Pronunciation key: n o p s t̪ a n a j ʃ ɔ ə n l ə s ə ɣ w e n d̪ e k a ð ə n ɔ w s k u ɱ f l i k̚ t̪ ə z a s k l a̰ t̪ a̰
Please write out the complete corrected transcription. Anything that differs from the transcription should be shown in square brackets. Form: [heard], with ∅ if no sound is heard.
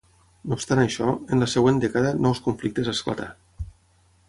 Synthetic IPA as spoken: n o p s t̪ a n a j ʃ ɔ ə n l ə s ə ɣ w e n d̪ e k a ð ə n ɔ w s k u ɱ f l i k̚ t̪ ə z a s k l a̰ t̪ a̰